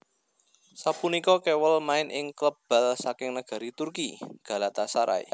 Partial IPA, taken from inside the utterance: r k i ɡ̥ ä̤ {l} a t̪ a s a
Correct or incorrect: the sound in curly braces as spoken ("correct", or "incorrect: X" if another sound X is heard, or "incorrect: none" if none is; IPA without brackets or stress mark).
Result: correct